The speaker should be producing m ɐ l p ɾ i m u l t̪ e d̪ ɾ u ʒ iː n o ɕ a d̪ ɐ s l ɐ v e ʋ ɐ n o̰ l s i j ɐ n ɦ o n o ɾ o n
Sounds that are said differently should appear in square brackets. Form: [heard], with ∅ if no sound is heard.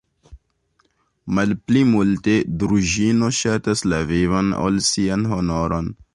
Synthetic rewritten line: m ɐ l p [l] i m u l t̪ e d̪ ɾ u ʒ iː n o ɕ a [t̪] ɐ s l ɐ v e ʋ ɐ n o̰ l s i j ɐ n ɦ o n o ɾ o n